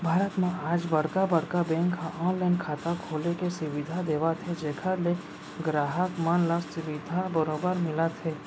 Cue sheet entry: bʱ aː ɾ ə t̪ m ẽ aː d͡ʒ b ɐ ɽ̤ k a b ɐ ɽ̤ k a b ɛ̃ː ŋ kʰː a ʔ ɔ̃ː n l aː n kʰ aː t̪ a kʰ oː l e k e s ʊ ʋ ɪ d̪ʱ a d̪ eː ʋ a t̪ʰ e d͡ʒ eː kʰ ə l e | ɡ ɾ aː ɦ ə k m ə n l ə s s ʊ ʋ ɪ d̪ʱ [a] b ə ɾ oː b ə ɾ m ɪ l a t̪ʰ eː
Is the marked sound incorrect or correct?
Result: correct